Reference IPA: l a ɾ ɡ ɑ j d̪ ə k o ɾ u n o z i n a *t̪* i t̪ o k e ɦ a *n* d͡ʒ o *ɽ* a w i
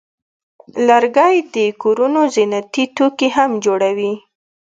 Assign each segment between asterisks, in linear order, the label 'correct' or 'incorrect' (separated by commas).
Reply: correct, incorrect, correct